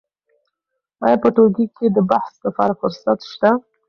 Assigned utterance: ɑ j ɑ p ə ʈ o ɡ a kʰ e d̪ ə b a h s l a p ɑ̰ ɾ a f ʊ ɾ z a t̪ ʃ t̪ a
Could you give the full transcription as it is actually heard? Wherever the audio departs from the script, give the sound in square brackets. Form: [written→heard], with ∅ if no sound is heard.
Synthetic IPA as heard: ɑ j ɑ p ə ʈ o ɡ [a→i] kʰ e d̪ ə b a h s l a p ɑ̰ ɾ a f ʊ ɾ [z→s] a t̪ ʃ t̪ a